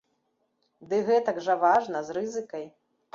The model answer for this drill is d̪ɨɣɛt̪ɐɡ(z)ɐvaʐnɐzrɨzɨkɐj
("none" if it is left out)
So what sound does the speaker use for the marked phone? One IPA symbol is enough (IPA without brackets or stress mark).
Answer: ʐ